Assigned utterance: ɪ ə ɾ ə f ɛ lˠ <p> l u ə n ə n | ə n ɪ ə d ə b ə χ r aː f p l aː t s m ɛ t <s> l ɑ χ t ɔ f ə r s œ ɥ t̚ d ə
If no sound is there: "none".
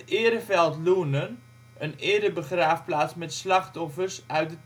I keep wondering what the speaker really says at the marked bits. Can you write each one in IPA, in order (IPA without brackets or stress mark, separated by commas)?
t, s